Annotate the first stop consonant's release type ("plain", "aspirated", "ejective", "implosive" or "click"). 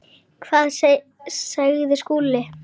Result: aspirated